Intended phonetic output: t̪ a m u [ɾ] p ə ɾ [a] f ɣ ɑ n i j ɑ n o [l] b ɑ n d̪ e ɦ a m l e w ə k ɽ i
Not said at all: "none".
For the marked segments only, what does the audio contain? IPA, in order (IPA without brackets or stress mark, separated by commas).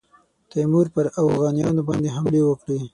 ɾ, a, none